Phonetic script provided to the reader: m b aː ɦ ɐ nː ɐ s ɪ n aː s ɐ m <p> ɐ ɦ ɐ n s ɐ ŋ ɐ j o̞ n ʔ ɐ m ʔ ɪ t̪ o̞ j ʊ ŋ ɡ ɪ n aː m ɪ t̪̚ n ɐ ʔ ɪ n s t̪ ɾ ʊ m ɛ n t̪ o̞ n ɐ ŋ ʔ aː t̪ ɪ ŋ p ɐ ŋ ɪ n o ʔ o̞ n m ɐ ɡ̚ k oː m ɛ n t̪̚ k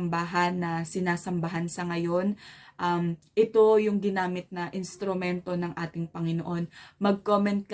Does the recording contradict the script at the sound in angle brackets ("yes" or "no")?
yes